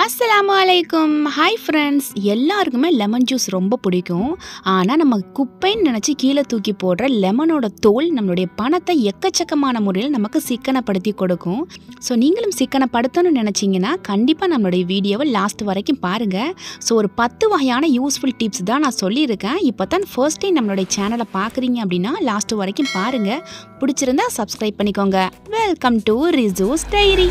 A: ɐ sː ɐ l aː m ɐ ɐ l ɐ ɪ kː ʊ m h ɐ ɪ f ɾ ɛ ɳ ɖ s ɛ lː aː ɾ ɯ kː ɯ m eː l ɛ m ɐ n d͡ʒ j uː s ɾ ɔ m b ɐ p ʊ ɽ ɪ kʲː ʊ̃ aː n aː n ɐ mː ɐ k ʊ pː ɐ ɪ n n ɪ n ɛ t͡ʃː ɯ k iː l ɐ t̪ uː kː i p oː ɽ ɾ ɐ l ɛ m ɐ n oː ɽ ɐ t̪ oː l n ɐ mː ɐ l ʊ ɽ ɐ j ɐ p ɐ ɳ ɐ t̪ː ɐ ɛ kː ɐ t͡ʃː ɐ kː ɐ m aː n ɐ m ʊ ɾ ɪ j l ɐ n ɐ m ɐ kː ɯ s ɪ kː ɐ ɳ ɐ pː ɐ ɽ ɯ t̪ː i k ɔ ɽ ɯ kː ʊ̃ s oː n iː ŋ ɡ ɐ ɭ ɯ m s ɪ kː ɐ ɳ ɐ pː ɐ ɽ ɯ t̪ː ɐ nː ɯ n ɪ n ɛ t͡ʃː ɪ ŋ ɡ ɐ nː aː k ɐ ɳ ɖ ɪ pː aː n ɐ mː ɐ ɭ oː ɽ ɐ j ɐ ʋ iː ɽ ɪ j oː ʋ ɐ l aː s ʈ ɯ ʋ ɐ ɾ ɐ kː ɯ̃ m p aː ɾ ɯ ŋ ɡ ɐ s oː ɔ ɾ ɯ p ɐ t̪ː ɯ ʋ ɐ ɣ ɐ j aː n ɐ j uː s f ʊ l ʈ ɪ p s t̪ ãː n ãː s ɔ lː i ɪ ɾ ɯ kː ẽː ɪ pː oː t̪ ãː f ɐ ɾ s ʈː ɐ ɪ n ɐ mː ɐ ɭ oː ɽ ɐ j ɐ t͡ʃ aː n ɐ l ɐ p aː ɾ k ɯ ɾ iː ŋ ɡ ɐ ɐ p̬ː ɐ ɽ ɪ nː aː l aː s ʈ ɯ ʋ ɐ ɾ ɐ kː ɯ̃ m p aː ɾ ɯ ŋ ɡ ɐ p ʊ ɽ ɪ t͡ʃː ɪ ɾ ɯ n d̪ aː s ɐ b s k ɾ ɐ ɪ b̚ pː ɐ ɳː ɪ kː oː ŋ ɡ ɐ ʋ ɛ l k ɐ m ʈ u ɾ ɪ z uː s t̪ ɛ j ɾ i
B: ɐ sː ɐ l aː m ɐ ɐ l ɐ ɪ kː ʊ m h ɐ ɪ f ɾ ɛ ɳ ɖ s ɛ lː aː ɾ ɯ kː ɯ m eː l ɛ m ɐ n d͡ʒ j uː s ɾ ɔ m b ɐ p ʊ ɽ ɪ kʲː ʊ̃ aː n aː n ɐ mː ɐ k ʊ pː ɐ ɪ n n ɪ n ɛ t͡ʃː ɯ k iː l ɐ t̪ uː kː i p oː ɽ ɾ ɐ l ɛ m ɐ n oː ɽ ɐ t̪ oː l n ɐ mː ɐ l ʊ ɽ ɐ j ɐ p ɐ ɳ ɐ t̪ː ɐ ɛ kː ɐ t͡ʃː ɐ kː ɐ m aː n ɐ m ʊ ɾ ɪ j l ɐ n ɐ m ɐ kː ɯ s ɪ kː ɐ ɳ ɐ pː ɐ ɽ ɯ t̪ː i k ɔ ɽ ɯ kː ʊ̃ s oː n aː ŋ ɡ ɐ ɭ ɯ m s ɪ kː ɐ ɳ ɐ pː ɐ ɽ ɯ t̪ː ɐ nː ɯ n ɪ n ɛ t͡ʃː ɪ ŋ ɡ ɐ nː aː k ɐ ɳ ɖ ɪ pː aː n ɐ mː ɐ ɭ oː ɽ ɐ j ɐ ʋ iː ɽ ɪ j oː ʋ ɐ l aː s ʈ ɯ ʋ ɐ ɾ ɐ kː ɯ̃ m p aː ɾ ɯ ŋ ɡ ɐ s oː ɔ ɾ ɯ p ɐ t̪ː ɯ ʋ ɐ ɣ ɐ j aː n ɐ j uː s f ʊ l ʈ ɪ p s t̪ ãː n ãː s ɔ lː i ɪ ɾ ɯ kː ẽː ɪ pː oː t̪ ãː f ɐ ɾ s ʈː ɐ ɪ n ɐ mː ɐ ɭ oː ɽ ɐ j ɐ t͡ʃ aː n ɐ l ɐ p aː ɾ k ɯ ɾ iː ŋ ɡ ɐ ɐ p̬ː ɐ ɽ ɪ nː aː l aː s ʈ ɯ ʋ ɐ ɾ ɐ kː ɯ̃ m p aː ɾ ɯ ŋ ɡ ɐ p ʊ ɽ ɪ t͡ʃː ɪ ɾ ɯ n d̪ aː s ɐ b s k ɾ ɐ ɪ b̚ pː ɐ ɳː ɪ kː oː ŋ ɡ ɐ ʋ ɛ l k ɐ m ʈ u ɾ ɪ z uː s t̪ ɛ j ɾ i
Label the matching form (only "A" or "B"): A